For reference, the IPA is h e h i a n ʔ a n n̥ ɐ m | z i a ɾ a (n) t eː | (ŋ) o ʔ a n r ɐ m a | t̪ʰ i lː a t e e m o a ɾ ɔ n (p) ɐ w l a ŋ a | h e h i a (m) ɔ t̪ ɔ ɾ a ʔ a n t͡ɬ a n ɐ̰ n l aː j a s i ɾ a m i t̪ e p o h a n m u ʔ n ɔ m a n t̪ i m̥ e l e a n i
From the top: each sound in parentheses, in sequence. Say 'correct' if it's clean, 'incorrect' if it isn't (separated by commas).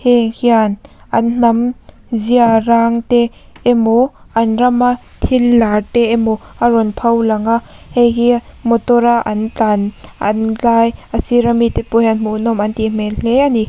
incorrect, incorrect, incorrect, correct